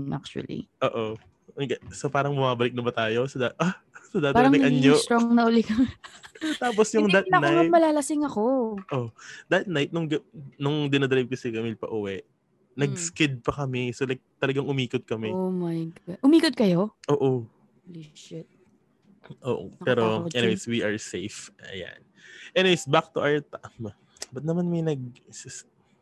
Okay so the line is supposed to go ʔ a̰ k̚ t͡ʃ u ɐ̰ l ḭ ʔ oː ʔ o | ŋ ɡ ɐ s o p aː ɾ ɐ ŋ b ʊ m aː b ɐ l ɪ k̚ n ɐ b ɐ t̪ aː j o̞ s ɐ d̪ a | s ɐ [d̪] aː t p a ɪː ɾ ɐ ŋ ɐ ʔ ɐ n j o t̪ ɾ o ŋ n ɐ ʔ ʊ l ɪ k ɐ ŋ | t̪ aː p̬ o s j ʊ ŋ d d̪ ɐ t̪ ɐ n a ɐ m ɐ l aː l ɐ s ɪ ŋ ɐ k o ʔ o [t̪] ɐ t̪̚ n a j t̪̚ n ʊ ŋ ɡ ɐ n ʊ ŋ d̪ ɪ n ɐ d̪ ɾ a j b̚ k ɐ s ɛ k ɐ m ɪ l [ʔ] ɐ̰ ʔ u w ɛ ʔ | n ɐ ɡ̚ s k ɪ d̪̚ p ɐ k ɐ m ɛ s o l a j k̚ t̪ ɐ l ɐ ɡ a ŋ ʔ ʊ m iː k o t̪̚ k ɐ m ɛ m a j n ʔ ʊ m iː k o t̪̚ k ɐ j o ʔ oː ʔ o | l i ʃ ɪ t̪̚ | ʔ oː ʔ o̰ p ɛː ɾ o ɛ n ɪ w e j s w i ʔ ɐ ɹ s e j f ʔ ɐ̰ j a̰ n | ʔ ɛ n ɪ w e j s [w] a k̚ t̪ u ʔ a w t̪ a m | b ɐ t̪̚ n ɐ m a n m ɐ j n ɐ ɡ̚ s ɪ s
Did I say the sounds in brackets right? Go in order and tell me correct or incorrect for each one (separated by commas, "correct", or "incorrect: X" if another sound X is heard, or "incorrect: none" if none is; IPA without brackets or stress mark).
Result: correct, incorrect: d̪, incorrect: p, incorrect: b